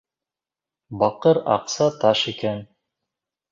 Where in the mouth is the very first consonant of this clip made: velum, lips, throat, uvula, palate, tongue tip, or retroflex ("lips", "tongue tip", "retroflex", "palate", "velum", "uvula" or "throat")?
lips